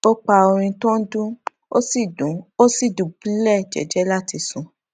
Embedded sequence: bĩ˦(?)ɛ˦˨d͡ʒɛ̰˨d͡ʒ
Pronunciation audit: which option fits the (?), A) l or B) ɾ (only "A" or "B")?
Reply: A